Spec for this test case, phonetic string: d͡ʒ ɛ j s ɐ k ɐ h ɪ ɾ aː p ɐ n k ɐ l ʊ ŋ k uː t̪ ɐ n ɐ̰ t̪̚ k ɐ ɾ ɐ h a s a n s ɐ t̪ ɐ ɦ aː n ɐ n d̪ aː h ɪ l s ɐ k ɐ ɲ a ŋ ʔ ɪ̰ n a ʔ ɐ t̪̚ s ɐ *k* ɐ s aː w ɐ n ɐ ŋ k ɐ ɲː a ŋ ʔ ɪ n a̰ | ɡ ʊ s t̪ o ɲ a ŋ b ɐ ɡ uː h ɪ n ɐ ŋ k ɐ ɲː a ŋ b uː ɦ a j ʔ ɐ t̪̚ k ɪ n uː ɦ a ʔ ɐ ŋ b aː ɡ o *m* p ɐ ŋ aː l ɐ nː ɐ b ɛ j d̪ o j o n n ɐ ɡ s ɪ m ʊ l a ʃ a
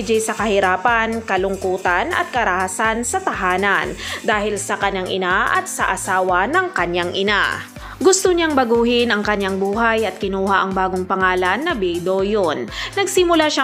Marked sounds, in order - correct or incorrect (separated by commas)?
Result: incorrect, incorrect